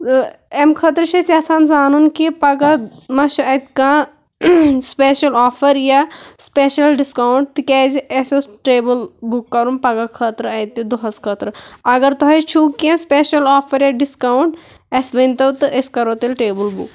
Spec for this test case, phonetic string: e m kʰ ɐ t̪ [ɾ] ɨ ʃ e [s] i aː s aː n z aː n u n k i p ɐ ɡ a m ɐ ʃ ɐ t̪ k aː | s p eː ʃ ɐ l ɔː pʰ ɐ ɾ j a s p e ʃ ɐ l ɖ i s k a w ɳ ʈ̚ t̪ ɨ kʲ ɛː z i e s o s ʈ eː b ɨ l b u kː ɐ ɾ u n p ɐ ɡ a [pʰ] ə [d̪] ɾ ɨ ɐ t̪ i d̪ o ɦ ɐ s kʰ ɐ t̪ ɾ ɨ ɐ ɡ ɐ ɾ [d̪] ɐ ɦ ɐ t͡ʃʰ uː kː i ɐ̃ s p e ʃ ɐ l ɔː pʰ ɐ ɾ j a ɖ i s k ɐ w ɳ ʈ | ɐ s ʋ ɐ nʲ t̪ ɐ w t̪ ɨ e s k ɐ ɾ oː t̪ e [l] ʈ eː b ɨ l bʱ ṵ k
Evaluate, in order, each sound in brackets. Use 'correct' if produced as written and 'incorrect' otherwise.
correct, correct, incorrect: kʰ, incorrect: t̪, incorrect: t̪, correct

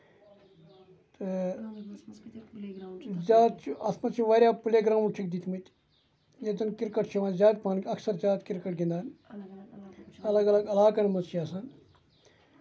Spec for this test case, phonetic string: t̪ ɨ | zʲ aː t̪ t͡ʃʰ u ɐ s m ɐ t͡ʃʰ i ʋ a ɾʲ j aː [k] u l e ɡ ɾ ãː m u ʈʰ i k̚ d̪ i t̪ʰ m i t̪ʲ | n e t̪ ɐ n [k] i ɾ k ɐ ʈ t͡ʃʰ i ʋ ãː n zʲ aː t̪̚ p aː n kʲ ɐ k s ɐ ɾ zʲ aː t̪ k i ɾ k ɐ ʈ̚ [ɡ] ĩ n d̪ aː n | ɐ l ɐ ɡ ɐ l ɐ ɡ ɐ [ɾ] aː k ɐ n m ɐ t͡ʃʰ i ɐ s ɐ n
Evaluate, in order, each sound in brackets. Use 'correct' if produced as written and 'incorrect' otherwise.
incorrect: p, correct, correct, incorrect: l

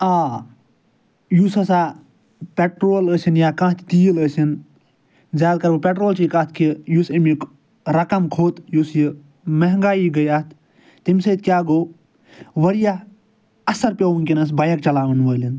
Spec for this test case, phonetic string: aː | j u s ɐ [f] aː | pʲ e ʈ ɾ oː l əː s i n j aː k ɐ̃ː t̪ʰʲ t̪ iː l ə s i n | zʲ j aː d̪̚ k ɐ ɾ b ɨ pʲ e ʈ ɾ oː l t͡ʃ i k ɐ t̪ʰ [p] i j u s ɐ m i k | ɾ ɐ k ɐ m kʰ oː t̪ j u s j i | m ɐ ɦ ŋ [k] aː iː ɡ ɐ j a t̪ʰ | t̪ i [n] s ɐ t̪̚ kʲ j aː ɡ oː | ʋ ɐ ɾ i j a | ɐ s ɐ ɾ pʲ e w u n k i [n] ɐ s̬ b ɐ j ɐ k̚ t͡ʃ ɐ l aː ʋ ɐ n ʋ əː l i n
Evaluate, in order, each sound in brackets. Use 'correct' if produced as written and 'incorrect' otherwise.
incorrect: s, incorrect: k, incorrect: ɡ, incorrect: m, correct

